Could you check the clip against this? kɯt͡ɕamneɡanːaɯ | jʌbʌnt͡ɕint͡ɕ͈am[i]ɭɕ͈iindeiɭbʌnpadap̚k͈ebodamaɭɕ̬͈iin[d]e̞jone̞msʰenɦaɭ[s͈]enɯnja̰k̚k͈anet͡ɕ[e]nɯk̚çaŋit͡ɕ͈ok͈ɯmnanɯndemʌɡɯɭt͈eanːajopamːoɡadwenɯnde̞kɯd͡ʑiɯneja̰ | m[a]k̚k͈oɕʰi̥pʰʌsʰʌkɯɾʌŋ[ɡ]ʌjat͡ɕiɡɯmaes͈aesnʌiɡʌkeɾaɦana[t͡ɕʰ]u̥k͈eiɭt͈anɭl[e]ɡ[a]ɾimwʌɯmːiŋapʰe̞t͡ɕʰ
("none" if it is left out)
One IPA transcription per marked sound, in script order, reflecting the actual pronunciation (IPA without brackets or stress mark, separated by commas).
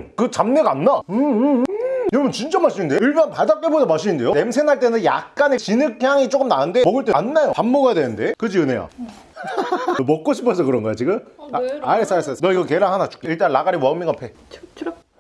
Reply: a, d, t͈, i, ʌ, ɡ, t͡ɕ, a, a